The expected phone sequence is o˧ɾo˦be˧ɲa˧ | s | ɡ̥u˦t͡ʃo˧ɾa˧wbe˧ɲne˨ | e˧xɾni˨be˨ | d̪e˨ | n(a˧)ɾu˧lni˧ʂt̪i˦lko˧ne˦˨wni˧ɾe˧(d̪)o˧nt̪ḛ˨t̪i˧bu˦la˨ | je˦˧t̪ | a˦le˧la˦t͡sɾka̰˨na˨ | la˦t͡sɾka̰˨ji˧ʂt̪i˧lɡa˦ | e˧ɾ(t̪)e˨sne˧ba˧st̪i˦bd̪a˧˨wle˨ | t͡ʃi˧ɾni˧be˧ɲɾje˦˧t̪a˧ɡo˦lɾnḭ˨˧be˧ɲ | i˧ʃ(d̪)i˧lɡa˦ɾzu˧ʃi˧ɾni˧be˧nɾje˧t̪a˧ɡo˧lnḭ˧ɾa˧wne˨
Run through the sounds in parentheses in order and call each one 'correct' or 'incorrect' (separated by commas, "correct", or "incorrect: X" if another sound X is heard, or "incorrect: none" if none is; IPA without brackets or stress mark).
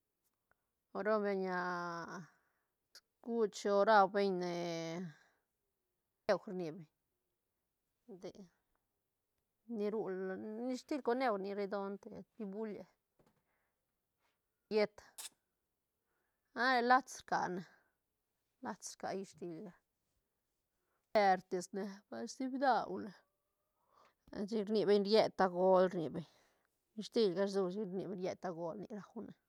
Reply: incorrect: i˧, correct, correct, incorrect: t̪